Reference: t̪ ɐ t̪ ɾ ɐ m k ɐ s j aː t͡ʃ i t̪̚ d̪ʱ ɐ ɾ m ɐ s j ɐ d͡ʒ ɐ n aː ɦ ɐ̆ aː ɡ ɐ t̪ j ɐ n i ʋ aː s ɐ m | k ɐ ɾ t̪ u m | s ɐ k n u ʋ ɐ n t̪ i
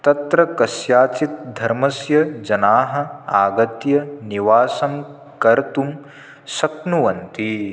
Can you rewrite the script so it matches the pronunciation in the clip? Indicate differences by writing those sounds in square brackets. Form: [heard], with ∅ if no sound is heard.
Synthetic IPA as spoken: t̪ ɐ t̪ ɾ ɐ [∅] k ɐ s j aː t͡ʃ i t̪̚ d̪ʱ ɐ ɾ m ɐ s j ɐ d͡ʒ ɐ n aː ɦ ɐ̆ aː ɡ ɐ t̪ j ɐ n i ʋ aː s ɐ m | k ɐ ɾ t̪ u m | s ɐ k n u ʋ ɐ n t̪ i